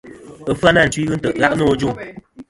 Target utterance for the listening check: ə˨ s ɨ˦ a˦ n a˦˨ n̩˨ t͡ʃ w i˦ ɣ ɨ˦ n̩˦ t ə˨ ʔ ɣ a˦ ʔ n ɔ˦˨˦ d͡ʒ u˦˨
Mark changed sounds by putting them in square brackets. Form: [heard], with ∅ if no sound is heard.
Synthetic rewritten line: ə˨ [f] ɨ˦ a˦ n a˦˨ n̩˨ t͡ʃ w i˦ ɣ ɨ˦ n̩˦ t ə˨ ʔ ɣ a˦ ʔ n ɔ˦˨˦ d͡ʒ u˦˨